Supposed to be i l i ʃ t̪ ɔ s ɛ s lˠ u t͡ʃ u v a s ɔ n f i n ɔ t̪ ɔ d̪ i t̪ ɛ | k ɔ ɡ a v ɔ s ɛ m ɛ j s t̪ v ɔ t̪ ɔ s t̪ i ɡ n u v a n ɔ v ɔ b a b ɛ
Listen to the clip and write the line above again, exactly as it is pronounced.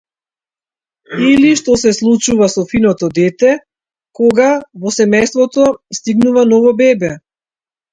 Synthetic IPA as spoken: i l i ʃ t̪ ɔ s ɛ s lˠ u t͡ʃ u v a s ɔ f i n ɔ t̪ ɔ d̪ ɛ t̪ ɛ | k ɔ ɡ a v ɔ s ɛ m ɛ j s t̪ v ɔ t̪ ɔ s t̪ i ɡ n u v a n ɔ v ɔ b ɛ b ɛ

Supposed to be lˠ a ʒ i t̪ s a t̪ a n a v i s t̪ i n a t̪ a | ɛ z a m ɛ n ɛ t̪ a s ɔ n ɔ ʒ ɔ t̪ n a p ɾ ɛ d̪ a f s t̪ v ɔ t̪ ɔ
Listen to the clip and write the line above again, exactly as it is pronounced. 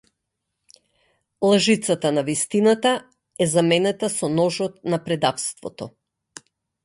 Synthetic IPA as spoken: lˠ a ʒ i t̪ s a t̪ a n a v i s t̪ i n a t̪ a | ɛ z a m ɛ n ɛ t̪ a s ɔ n ɔ ʒ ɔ t̪ n a p ɾ ɛ d̪ a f s t̪ v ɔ t̪ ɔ

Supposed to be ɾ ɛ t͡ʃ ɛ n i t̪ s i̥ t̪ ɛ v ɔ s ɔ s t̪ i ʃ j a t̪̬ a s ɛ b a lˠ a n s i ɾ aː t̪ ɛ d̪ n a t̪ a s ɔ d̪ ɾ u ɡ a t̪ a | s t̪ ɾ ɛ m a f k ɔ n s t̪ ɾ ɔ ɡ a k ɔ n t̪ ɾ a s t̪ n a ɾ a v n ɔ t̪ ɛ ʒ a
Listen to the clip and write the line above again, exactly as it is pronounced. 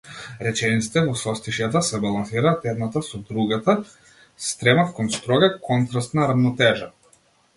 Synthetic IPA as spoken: ɾ ɛ t͡ʃ ɛ n i t̪ s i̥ t̪ ɛ v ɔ s ɔ s t̪ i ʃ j a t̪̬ a s ɛ b a lˠ a n s i ɾ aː t̪ ɛ d̪ n a t̪ a s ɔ d̪ ɾ u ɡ a t̪ a | s t̪ ɾ ɛ m a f k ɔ n s t̪ ɾ ɔ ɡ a k ɔ n t̪ ɾ a s t̪ n a ɾ a v n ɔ t̪ ɛ ʒ a

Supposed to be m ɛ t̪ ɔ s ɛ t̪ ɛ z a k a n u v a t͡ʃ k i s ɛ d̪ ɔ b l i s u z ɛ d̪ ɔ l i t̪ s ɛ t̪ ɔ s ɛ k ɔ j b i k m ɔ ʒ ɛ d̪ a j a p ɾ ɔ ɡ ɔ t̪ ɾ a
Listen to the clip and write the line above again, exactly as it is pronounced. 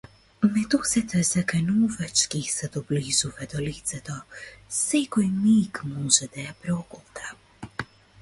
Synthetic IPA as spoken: m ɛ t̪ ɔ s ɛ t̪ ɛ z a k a n u v a t͡ʃ k i s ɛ d̪ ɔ b l i z u v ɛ d̪ ɔ l i t̪ s ɛ t̪ ɔ s ɛ k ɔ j m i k m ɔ ʒ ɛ d̪ a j a p ɾ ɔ ɡ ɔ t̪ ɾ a

